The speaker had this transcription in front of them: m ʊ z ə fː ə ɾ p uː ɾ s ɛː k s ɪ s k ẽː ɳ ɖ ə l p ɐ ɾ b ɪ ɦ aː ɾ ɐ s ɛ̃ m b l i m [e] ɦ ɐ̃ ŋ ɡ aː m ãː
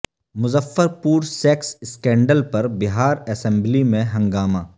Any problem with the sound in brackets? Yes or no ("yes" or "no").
yes